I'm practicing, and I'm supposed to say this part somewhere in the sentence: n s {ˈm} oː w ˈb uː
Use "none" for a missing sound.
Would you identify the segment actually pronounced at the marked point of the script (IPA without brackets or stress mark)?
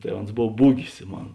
b